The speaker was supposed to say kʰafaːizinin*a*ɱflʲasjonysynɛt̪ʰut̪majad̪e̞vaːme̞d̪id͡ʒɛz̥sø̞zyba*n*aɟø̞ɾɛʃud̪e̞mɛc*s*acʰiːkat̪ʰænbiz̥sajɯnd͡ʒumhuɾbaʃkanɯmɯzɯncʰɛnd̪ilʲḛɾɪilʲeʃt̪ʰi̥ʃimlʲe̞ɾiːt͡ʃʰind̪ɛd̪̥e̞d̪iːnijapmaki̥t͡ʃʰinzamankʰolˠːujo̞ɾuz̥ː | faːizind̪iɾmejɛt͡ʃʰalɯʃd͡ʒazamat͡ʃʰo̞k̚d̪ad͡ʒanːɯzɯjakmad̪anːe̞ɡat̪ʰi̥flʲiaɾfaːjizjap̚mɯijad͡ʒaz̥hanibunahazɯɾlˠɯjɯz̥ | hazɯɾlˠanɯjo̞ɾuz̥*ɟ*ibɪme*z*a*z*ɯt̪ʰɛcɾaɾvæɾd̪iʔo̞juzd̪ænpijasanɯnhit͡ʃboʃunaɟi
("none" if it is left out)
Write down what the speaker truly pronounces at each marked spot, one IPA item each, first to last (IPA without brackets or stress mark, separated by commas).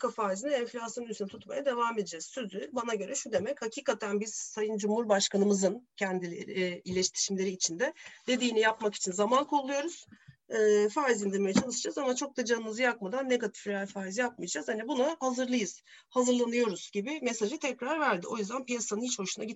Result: ɛ, n, h, ɟ, s, ʒ